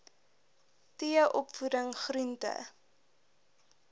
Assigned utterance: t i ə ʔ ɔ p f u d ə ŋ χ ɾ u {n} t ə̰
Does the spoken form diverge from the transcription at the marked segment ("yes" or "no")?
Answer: no